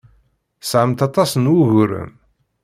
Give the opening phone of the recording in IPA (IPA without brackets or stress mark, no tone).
s